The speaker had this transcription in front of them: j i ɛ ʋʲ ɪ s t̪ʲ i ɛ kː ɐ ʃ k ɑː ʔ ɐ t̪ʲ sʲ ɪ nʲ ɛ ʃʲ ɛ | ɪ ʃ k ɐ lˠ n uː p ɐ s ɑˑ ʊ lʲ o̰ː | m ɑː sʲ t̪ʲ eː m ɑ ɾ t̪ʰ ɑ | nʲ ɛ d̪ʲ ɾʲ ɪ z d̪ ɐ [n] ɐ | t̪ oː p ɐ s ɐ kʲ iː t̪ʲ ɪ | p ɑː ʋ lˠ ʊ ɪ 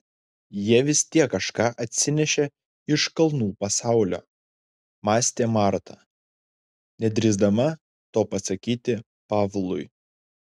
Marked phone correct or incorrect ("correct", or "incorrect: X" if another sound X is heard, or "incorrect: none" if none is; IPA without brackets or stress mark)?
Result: incorrect: m